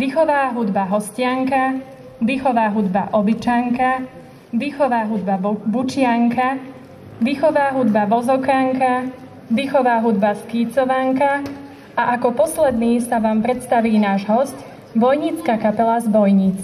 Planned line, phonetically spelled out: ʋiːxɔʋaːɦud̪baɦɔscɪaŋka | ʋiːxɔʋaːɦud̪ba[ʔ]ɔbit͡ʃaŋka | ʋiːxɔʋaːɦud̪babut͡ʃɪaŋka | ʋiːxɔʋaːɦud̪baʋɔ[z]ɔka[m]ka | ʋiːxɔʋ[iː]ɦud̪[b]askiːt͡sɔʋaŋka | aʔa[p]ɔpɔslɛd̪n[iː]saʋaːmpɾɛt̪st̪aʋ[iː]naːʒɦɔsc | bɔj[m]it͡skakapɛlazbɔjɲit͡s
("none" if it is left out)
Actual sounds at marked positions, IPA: ʔ, z, ŋ, aː, b, k, iː, iː, ɲ

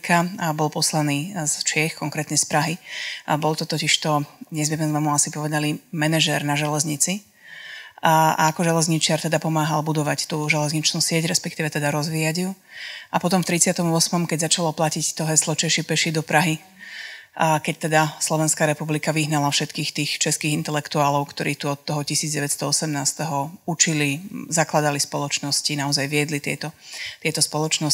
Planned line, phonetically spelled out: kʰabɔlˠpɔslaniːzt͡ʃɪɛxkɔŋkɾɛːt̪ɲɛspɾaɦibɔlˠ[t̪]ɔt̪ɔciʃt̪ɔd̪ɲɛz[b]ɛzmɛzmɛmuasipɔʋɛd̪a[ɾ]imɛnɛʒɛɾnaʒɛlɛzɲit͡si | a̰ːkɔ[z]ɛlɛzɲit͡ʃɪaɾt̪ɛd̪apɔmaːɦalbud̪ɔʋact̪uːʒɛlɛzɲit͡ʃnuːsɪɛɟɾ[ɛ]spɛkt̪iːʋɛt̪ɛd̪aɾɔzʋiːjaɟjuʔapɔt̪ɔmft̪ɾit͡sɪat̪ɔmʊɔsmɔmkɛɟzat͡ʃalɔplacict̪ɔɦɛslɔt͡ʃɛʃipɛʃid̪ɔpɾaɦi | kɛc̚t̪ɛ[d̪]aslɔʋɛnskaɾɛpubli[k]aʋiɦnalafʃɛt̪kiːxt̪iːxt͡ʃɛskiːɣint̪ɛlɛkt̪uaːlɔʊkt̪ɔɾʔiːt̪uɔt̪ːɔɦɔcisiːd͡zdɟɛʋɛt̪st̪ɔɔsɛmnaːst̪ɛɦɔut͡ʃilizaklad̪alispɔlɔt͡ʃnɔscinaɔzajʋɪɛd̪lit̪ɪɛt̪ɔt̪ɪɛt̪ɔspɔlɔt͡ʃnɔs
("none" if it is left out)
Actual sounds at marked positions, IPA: t̪, m, l, ʒ, ɛ, d̪, k

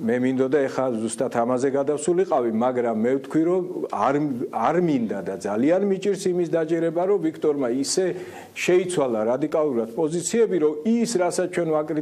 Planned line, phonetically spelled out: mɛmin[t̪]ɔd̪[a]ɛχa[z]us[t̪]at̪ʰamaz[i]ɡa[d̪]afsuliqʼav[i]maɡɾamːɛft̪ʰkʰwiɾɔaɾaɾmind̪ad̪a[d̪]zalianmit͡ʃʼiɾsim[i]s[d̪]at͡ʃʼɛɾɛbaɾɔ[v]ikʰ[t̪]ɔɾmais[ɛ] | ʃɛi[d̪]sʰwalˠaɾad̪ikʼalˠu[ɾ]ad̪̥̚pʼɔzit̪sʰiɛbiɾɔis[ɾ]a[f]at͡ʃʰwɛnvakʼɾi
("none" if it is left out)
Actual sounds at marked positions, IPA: d̪, a, z, t̪ʼ, ɛ, d̪, i, d̪, i, d̪, v, t̪ʼ, ɛ, t̪, ɾ, ɾ, s

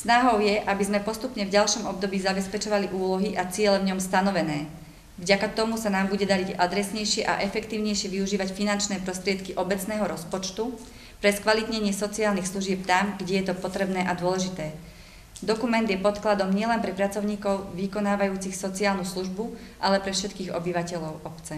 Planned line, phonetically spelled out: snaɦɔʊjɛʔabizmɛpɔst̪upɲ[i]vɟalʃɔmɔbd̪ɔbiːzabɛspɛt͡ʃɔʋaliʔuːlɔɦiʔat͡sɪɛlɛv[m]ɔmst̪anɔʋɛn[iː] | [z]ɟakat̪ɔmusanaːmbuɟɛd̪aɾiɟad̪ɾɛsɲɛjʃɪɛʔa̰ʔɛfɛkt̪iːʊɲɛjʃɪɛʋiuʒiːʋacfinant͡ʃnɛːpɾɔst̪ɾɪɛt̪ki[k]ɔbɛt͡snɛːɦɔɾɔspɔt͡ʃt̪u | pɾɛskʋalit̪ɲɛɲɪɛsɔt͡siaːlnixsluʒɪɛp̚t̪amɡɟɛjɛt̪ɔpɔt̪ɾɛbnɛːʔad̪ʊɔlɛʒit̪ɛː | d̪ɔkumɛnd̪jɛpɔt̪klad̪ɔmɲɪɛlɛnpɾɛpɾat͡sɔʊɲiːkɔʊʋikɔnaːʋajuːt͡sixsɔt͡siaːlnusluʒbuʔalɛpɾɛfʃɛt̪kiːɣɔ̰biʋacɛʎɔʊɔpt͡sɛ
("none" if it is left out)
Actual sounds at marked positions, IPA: ɛ, ɲ, ɛː, v, ʔ

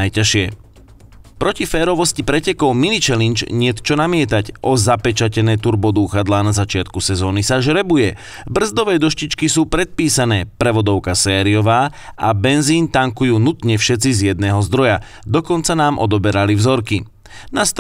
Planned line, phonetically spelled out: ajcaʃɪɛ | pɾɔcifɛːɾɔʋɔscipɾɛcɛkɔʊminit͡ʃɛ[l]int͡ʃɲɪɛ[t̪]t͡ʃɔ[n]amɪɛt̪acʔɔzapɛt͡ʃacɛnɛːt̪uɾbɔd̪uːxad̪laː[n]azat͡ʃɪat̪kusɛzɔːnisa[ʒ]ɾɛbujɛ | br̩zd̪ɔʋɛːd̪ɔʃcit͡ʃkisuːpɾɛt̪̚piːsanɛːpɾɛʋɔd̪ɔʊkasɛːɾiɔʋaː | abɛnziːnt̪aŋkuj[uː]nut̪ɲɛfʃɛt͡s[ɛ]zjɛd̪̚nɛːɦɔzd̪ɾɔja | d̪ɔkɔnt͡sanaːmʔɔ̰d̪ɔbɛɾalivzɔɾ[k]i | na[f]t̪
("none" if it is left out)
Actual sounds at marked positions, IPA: l, t̪, n, n, ʒ, uː, i, k, s

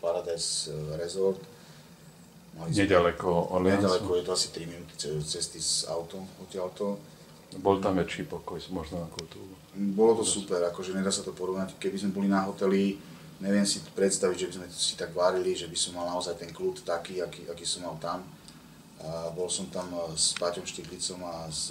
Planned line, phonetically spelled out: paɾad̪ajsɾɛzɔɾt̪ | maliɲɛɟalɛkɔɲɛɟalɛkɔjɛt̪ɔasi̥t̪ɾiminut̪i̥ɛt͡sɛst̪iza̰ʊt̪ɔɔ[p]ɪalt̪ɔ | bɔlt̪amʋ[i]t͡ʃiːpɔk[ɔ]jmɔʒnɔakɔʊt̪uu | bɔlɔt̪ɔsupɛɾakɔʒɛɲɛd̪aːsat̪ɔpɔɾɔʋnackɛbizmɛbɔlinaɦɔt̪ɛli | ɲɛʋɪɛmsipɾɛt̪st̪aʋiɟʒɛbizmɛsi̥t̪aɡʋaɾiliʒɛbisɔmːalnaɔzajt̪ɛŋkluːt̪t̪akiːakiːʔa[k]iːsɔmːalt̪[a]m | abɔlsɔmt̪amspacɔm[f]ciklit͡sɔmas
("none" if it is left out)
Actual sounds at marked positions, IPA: c, ɛ, ɔ, k, a, ʃ

